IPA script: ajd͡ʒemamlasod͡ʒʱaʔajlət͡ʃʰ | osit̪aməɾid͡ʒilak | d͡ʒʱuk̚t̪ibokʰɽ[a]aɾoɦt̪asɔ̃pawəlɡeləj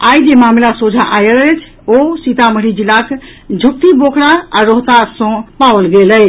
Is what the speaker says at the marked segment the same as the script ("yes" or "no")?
yes